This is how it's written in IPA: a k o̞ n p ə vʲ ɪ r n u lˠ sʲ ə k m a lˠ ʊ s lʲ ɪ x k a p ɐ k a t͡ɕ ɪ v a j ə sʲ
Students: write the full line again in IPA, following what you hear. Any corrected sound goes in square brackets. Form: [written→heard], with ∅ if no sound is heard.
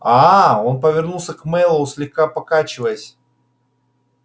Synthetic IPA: a [k→∅] o̞ n p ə vʲ ɪ r n u lˠ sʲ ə k m [a→ɛ] lˠ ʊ s lʲ ɪ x k a p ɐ k a t͡ɕ ɪ v [a→ə] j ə sʲ

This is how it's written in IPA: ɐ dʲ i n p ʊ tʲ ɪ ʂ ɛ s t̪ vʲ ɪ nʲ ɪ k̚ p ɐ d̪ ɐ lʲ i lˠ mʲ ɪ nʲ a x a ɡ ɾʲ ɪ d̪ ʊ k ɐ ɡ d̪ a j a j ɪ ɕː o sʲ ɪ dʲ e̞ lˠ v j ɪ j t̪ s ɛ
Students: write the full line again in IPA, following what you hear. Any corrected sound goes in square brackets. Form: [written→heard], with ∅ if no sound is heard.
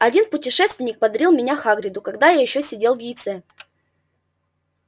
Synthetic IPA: ɐ dʲ i n p ʊ tʲ ɪ ʂ ɛ s t̪ vʲ ɪ nʲ ɪ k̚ p ɐ d̪ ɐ [lʲ→ɾʲ] i lˠ mʲ ɪ nʲ a x a ɡ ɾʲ ɪ d̪ ʊ k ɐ ɡ d̪ a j a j ɪ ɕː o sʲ ɪ dʲ e̞ lˠ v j ɪ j t̪ s ɛ

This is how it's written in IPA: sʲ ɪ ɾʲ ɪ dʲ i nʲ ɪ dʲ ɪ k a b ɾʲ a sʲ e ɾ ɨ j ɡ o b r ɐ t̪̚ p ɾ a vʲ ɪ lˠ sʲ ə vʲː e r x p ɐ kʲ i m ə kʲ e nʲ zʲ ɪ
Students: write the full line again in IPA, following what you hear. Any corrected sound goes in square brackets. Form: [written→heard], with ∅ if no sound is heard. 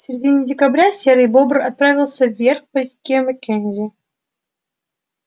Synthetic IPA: sʲ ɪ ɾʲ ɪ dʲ i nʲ ɪ dʲ ɪ k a b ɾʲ a sʲ e ɾ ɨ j [ɡ→b] o b r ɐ t̪̚ p ɾ a vʲ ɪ lˠ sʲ ə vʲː e r x p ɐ kʲ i m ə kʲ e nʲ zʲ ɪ

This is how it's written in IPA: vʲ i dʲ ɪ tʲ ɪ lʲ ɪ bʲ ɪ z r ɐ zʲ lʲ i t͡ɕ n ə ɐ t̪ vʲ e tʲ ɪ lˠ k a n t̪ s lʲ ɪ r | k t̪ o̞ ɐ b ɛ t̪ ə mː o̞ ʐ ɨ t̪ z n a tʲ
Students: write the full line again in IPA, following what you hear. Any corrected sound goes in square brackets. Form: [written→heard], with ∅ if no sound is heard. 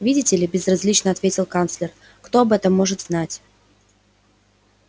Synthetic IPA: vʲ i dʲ ɪ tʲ ɪ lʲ ɪ bʲ ɪ z r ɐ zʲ lʲ i t͡ɕ n ə ɐ t̪ vʲ e tʲ ɪ lˠ k a n t̪ s lʲ ɪ r | k t̪ o̞ ɐ b ɛ t̪ ə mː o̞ ʐ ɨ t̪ z n a tʲ

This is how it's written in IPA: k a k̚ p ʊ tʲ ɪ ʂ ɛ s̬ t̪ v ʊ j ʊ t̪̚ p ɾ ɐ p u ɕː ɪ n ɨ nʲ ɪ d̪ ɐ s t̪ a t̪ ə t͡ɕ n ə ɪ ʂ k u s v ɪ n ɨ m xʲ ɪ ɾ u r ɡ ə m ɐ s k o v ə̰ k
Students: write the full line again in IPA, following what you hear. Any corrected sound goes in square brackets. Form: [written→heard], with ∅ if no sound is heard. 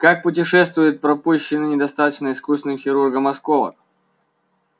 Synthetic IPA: k a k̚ p ʊ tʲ ɪ ʂ ɛ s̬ t̪ v ʊ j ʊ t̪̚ p ɾ ɐ p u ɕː ɪ n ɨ nʲ ɪ d̪ ɐ s t̪ a t̪ ə t͡ɕ n ə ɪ [ʂ→s] k u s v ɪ n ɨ m xʲ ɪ ɾ u r ɡ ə m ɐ s k o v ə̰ k

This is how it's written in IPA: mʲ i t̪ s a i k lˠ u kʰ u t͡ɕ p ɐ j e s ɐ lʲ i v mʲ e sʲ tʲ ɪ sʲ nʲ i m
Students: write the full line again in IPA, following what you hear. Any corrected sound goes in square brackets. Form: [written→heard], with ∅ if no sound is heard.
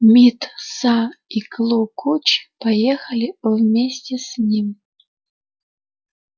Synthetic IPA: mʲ i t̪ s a i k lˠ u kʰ u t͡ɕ p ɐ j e [s→x] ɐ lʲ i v mʲ e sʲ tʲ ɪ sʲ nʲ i m

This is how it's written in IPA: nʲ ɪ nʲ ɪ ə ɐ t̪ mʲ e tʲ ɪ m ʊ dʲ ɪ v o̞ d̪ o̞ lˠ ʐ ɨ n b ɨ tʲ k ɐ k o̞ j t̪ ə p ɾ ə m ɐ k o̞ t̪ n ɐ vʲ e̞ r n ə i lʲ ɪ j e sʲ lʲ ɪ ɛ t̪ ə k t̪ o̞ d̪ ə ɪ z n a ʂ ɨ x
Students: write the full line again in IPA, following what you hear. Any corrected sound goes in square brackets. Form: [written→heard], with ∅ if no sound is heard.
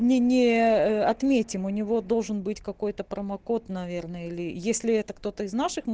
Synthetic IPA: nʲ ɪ nʲ ɪ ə ɐ t̪ mʲ e tʲ ɪ m ʊ [dʲ→nʲ] ɪ v o̞ d̪ o̞ lˠ ʐ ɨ n b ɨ tʲ k ɐ k o̞ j t̪ ə p ɾ ə m ɐ k o̞ t̪ n ɐ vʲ e̞ r n ə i lʲ ɪ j e sʲ lʲ ɪ ɛ t̪ ə k t̪ o̞ [d̪→t̪] ə ɪ z n a ʂ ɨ x

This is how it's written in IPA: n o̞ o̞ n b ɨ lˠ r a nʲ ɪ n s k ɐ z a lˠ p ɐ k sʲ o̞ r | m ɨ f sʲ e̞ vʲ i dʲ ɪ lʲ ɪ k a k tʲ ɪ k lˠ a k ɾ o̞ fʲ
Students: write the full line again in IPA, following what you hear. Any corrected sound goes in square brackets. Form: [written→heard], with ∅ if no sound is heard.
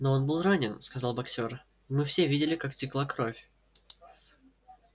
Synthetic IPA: n o̞ o̞ n b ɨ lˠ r a nʲ ɪ n s k ɐ z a lˠ [p→b] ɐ k sʲ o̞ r | m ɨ f sʲ e̞ vʲ i dʲ ɪ lʲ ɪ k a k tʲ ɪ k lˠ a k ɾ o̞ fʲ

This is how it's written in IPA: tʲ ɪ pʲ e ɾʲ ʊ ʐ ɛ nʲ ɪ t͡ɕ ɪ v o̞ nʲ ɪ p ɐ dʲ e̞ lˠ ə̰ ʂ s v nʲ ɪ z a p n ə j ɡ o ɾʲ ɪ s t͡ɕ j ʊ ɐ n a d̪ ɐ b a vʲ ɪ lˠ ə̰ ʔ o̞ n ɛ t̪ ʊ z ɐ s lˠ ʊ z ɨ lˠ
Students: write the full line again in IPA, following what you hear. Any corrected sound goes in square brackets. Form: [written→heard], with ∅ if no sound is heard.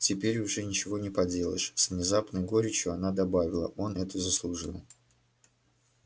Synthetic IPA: tʲ ɪ pʲ e ɾʲ ʊ ʐ ɛ nʲ ɪ t͡ɕ ɪ v o̞ nʲ ɪ p ɐ dʲ e̞ lˠ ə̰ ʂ s v nʲ ɪ z a p n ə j ɡ o ɾʲ ɪ [s→∅] t͡ɕ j ʊ ɐ n a d̪ ɐ b a vʲ ɪ lˠ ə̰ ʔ o̞ n ɛ t̪ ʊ z [ɐ→ə] s lˠ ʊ [z→ʐ] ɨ lˠ

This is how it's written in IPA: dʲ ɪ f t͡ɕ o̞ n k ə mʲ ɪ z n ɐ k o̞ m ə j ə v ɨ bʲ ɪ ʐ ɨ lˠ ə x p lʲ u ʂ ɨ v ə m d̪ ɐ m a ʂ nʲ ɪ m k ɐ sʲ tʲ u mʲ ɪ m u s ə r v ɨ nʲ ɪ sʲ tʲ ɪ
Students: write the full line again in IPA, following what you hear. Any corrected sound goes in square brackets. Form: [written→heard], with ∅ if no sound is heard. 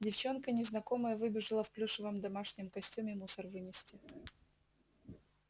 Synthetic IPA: dʲ ɪ f t͡ɕ o̞ n k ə [mʲ→nʲ] ɪ z n ɐ k o̞ m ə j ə v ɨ bʲ ɪ ʐ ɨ lˠ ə [x→f] p lʲ u ʂ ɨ v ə m d̪ ɐ m a ʂ nʲ ɪ m k ɐ sʲ tʲ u mʲ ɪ m u s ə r v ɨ nʲ ɪ sʲ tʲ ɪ

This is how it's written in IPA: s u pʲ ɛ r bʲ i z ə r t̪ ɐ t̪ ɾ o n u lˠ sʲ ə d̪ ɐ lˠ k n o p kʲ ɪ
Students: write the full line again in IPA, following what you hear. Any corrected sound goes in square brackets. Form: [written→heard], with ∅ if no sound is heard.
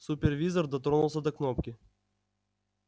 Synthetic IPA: s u pʲ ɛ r [bʲ→vʲ] i z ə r [t̪→d̪] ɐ t̪ ɾ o n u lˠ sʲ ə d̪ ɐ [lˠ→∅] k n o p kʲ ɪ

